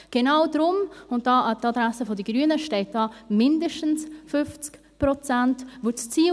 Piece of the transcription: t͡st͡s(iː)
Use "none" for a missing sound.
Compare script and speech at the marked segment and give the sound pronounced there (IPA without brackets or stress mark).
iː